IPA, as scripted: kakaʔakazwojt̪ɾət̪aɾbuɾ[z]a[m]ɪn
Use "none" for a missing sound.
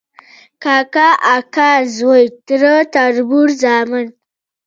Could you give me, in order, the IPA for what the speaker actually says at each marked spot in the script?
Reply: z, m

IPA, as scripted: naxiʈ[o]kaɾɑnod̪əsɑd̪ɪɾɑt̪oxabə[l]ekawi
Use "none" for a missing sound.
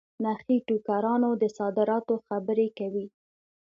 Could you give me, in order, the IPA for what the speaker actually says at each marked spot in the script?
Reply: u, ɾ

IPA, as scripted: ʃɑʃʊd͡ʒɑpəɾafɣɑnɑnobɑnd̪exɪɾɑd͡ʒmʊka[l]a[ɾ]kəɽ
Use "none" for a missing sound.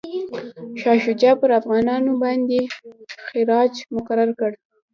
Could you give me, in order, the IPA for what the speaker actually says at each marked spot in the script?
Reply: ɾ, ɾ

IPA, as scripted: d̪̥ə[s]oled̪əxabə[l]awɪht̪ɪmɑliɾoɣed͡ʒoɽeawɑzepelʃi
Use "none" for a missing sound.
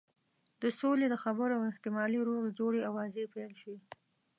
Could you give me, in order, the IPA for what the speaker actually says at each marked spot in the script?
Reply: s, ɾ

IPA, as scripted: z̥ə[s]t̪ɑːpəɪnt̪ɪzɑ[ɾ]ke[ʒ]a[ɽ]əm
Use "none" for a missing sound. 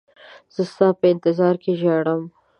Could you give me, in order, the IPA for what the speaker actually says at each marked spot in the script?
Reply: s, ɾ, ʒ, ɽ

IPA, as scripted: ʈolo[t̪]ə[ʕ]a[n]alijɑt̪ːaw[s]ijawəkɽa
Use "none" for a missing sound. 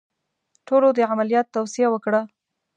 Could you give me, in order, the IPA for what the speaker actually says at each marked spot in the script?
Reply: d̪, ʕ, m, s

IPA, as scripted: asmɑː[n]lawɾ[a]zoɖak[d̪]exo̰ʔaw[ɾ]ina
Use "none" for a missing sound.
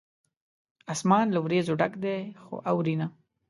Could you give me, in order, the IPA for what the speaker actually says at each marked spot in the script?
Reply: n, e, d̪, ɾ

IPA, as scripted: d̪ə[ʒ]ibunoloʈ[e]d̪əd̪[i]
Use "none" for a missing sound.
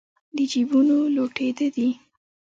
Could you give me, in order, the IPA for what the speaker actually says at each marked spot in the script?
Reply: d͡ʒ, e, i

